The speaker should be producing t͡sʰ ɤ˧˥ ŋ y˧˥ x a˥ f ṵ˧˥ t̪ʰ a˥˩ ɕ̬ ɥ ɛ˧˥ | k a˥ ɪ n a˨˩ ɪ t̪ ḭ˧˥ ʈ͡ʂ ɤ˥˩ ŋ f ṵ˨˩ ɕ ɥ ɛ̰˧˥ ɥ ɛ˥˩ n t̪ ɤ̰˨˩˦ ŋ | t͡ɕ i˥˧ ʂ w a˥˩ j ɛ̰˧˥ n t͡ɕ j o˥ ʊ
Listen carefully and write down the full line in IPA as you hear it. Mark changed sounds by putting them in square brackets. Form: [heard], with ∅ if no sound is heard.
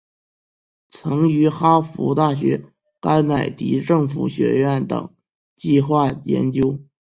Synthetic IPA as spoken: t͡sʰ ɤ˧˥ ŋ y˧˥ x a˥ f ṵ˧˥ [t̪] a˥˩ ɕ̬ ɥ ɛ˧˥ | k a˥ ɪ n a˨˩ ɪ t̪ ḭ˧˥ ʈ͡ʂ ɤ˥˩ ŋ f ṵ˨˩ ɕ ɥ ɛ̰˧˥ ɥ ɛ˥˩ n t̪ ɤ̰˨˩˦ ŋ | t͡ɕ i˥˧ [x] w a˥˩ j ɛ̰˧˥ n t͡ɕ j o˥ ʊ